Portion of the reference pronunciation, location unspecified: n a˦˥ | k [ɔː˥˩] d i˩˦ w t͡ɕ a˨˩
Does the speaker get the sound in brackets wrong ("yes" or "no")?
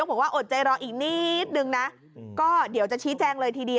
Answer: no